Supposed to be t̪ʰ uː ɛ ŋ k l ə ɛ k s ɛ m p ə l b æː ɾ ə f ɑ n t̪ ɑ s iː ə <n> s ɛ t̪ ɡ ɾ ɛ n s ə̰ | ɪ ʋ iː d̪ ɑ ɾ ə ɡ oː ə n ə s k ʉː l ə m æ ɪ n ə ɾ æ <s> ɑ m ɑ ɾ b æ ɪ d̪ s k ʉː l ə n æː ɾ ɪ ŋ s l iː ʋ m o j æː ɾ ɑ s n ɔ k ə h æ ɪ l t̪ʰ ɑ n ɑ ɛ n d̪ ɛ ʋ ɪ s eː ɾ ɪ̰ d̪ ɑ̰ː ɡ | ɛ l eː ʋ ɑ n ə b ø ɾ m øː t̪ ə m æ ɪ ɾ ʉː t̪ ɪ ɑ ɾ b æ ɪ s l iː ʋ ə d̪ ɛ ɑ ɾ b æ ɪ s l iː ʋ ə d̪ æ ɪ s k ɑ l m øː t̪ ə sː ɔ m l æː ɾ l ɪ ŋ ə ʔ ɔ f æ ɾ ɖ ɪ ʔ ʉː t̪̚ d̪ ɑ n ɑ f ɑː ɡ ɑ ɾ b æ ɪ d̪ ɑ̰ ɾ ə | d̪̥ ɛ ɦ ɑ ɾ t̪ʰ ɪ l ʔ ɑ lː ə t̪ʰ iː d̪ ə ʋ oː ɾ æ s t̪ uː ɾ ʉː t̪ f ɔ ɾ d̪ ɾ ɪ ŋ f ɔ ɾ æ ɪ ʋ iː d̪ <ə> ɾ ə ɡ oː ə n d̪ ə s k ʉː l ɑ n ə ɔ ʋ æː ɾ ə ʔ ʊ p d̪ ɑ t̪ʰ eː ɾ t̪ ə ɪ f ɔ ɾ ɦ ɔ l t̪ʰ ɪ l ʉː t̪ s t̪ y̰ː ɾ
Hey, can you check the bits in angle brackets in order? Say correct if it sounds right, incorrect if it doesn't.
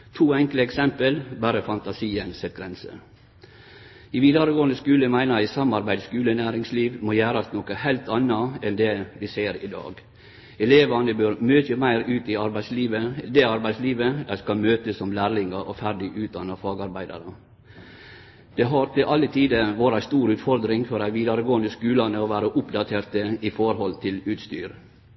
correct, correct, incorrect: ɑ

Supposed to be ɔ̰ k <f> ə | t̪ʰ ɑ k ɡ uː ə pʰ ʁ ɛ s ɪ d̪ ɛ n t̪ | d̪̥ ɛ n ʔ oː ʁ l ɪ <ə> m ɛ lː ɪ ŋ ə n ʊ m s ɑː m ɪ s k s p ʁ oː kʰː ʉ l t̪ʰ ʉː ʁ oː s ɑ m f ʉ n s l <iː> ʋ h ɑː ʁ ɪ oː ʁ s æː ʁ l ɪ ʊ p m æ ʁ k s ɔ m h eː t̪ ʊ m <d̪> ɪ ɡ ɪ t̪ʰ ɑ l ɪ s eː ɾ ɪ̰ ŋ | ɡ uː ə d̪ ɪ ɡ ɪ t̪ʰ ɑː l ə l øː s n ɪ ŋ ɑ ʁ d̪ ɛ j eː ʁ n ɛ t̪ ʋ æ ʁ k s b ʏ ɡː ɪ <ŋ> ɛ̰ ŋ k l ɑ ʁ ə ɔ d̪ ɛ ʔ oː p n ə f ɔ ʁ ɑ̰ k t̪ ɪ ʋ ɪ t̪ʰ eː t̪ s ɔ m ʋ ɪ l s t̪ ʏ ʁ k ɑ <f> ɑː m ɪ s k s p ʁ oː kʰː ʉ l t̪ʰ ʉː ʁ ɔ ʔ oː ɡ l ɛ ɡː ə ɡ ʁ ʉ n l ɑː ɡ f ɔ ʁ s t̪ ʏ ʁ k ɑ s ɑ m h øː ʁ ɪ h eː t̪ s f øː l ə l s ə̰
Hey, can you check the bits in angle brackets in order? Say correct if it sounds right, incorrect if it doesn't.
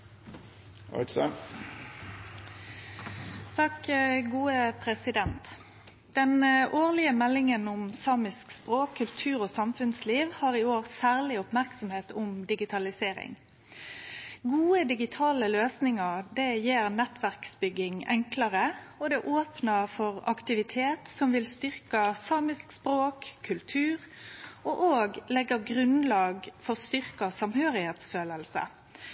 incorrect: s, correct, correct, correct, correct, incorrect: s

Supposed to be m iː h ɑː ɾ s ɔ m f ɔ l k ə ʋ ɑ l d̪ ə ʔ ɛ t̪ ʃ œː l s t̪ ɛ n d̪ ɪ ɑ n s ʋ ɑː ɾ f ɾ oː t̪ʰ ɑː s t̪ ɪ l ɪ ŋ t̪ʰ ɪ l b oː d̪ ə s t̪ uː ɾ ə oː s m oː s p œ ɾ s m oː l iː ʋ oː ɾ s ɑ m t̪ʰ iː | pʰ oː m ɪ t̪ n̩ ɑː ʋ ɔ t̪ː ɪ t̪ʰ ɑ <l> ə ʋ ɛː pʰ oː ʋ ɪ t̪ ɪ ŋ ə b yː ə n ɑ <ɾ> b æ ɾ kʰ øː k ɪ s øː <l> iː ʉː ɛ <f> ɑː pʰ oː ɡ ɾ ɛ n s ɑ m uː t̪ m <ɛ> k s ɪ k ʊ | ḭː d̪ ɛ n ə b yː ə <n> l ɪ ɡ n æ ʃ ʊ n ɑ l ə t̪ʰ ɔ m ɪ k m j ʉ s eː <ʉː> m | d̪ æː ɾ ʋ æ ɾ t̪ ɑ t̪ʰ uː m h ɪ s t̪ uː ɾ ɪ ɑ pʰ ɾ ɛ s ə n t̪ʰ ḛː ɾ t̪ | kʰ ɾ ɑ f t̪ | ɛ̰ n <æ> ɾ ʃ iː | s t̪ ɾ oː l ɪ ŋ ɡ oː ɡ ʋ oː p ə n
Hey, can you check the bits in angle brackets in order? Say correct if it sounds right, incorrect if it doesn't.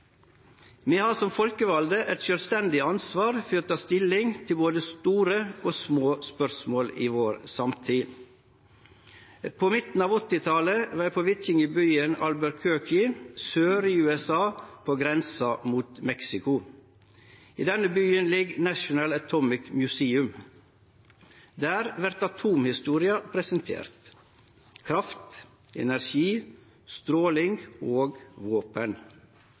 correct, incorrect: l, incorrect: ɾ, incorrect: s, correct, correct, incorrect: ʉ, correct

